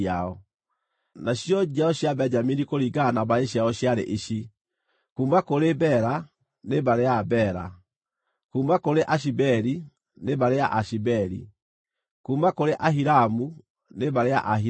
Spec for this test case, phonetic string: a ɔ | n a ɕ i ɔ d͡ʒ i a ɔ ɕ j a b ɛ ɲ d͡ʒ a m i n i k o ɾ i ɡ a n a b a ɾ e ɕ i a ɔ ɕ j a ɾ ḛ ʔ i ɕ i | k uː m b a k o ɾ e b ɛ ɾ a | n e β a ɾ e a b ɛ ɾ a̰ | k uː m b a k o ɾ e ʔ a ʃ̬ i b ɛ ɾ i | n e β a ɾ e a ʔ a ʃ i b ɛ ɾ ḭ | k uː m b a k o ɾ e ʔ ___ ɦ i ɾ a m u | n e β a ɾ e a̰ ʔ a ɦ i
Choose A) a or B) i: A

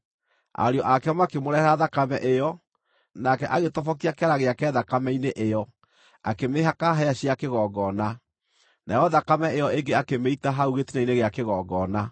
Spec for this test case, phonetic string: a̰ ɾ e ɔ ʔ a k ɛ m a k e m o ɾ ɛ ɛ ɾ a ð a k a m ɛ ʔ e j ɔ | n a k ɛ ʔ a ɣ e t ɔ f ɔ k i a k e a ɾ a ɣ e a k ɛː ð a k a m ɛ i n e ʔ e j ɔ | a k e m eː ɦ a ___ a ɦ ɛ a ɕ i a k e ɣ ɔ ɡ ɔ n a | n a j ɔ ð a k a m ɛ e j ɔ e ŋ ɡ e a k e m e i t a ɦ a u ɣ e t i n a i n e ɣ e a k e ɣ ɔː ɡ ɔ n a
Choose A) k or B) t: A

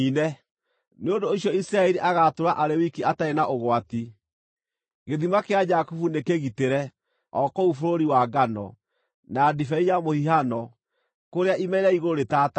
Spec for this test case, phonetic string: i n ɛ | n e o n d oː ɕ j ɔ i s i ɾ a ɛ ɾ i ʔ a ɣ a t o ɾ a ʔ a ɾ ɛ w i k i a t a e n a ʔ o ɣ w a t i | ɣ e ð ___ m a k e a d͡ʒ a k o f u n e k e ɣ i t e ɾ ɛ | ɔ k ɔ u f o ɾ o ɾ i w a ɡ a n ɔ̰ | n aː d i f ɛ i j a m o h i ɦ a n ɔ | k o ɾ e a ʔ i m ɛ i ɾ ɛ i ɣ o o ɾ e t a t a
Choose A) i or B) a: A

